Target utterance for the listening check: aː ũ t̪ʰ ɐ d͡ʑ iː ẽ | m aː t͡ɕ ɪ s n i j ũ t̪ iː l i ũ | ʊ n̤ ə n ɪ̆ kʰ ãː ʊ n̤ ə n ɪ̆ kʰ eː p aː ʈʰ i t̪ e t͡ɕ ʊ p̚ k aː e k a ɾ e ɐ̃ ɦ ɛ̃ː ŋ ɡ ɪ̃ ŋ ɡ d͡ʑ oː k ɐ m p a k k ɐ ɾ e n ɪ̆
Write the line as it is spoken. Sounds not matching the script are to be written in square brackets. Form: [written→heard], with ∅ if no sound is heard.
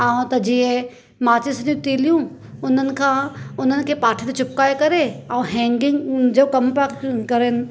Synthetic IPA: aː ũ [t̪ʰ→t̪] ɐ d͡ʑ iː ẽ | m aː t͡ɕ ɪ s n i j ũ t̪ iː l [i→j] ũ | ʊ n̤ ə n ɪ̆ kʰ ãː ʊ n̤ ə n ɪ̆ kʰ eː p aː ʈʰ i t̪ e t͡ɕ ʊ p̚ k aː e k [a→ɐ] ɾ e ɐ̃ ɦ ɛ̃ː ŋ ɡ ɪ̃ ŋ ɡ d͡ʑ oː k ɐ m p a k k ɐ ɾ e n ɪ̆